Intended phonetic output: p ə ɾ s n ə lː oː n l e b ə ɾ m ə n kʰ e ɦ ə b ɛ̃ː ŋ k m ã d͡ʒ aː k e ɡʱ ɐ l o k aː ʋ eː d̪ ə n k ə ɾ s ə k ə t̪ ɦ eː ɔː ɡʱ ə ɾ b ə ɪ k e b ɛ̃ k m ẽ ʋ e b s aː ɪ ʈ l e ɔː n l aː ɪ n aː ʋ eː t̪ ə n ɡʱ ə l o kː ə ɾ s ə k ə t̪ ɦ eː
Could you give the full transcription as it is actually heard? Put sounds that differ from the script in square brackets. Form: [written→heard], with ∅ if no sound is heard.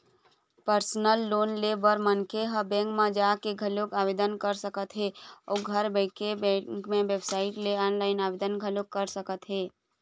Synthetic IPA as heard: p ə ɾ s n ə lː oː n l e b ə ɾ m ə n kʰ e ɦ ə b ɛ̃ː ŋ k m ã d͡ʒ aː k e ɡʱ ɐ l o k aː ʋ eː d̪ ə n k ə ɾ s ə k ə t̪ ɦ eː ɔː ɡʱ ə ɾ b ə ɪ k e b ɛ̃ k m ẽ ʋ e b s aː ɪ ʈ l e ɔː n l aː ɪ n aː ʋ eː [t̪→d̪] ə n ɡʱ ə l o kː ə ɾ s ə k ə t̪ ɦ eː